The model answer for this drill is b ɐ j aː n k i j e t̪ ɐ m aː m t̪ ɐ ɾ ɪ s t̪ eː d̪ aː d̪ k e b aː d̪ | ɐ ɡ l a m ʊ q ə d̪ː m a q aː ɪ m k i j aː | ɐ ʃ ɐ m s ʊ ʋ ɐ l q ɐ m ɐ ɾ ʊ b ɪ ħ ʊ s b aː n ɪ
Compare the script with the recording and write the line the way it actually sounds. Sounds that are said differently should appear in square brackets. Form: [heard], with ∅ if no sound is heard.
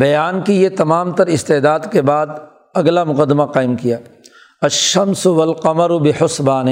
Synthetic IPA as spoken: b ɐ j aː n k i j e t̪ ɐ m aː m t̪ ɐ ɾ ɪ s t̪ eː d̪ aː d̪ k e b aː d̪ | ɐ ɡ l a m ʊ q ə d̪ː m a q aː ɪ m k i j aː | ɐ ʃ ɐ m s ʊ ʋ ɐ l q ɐ m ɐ ɾ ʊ b ɪ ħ ʊ s b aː n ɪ